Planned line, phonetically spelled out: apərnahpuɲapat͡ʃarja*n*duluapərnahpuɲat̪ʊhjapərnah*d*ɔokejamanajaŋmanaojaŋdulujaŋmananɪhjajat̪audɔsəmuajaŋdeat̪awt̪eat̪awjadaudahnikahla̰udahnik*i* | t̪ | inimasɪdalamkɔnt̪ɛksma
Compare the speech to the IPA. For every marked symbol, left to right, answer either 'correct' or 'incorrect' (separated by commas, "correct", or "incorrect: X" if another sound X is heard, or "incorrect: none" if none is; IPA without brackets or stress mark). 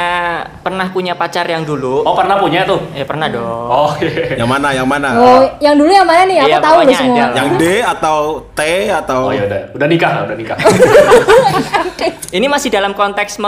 incorrect: ŋ, correct, incorrect: a